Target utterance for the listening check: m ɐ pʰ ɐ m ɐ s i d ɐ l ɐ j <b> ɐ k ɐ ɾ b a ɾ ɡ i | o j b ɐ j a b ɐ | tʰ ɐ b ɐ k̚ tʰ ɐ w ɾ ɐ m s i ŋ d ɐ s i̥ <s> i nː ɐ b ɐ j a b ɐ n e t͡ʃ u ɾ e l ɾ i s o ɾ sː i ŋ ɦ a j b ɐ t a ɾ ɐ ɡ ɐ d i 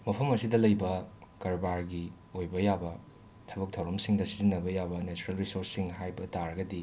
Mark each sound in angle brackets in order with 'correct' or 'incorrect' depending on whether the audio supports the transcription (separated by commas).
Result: correct, incorrect